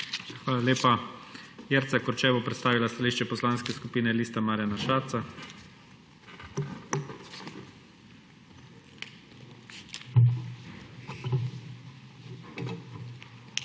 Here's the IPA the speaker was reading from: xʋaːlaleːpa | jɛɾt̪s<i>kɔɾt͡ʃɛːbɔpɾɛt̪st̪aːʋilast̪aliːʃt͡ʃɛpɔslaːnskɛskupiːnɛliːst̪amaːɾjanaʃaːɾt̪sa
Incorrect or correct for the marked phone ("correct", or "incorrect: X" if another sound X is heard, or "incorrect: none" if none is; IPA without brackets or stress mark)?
incorrect: a